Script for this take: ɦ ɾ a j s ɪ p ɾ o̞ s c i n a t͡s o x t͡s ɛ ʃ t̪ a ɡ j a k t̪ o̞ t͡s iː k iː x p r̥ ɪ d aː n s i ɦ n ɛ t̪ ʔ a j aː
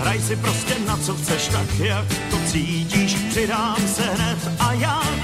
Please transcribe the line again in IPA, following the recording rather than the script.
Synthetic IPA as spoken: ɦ ɾ a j s ɪ p ɾ o̞ s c ɛ n a t͡s o x t͡s ɛ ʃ t̪ a k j a k t̪ o̞ t͡s iː c iː ʃ p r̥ ɪ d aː m s ɛ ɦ n ɛ t̪ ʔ a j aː